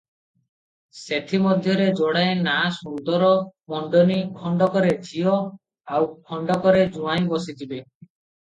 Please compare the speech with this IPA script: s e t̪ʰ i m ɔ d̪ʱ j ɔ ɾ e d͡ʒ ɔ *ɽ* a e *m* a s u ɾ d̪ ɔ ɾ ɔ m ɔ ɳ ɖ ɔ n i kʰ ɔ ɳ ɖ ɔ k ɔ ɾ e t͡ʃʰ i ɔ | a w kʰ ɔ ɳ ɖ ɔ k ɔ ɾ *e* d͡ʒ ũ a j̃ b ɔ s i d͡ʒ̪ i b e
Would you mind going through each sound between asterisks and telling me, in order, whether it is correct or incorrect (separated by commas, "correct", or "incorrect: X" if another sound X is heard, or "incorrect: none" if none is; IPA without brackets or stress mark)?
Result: correct, incorrect: n, correct